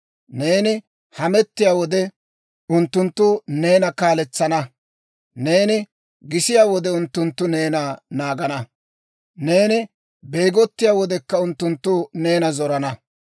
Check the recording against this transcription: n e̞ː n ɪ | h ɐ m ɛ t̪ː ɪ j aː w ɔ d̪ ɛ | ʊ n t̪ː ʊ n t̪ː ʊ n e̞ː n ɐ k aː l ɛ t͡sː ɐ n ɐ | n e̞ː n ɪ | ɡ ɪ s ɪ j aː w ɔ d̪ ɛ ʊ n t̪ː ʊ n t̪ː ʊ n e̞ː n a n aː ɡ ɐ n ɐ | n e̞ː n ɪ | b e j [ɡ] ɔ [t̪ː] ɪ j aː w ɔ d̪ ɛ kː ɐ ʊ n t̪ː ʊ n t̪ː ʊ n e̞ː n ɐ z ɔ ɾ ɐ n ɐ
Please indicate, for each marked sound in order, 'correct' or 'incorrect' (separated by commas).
correct, correct